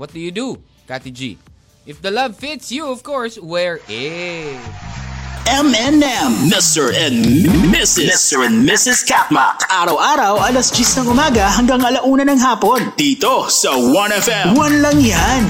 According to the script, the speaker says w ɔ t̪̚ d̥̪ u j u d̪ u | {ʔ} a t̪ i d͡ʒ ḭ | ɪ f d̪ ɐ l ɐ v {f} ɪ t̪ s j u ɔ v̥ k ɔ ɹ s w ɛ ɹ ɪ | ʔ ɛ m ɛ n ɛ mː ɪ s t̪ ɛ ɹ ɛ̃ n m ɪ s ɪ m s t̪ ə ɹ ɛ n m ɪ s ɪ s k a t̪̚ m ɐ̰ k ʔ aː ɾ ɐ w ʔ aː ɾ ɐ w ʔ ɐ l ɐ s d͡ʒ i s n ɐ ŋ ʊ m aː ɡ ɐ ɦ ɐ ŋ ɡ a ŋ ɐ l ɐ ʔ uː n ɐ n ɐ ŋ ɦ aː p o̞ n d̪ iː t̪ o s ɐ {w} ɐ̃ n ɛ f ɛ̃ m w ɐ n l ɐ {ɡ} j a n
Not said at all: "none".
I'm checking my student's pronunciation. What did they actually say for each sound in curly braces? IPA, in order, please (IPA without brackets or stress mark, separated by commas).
k, f, w, ŋ